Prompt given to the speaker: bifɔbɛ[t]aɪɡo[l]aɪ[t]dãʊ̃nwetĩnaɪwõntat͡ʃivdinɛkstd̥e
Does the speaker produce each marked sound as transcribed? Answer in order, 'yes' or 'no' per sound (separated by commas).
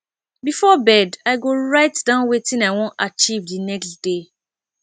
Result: no, no, yes